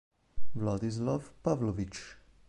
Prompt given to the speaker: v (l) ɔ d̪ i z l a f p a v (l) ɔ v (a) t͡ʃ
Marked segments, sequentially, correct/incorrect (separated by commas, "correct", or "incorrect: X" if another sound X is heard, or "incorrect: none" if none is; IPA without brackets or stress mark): correct, correct, incorrect: i